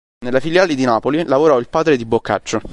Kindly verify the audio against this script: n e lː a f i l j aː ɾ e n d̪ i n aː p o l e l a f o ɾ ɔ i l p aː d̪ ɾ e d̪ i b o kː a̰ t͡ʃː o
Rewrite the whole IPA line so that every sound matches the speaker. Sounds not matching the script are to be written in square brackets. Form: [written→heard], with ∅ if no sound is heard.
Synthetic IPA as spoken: n e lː a f i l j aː [ɾ→l] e [n→∅] d̪ i n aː p o l [e→i] l a [f→v] o ɾ ɔ i l p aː d̪ ɾ e d̪ i b o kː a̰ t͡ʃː o